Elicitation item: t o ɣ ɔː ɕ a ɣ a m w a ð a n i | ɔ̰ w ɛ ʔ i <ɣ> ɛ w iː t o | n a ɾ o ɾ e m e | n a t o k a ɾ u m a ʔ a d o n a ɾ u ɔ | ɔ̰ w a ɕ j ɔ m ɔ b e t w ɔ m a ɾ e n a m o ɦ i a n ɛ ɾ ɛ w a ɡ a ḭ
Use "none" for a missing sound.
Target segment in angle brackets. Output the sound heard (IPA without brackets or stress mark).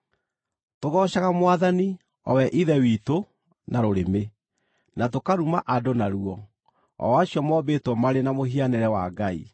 ð